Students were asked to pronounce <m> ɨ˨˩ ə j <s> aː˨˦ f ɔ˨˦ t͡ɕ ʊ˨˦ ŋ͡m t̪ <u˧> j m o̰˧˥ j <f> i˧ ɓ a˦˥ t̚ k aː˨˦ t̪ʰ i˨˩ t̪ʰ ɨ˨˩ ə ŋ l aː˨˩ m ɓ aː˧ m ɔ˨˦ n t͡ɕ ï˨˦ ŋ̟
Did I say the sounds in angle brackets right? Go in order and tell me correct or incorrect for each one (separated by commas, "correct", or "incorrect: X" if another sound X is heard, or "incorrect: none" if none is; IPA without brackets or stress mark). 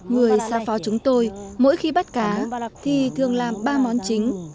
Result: incorrect: ŋ, correct, incorrect: o˧, incorrect: x